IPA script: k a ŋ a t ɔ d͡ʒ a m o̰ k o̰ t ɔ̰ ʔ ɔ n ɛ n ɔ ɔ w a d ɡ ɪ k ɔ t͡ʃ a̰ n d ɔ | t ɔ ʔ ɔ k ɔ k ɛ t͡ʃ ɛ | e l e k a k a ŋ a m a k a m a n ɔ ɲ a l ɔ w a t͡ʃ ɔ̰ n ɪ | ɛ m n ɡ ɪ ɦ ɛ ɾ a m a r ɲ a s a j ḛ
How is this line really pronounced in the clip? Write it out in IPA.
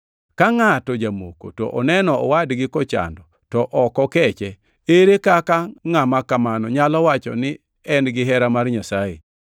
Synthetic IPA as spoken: k a ŋ a t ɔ d͡ʒ a m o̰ k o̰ t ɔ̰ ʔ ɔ n ɛ n ɔ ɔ w a d ɡ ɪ k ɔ t͡ʃ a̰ n d ɔ | t ɔ ʔ ɔ k ɔ k ɛ t͡ʃ ɛ | e ɾ e k a k a ŋ a m a k a m a n ɔ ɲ a l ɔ w a t͡ʃ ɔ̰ n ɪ | ɛ n ɡ ɪ ɦ ɛ ɾ a m a r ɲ a s a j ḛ